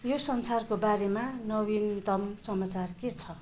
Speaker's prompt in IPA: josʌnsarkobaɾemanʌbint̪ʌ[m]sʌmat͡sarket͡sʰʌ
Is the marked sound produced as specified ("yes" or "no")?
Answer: yes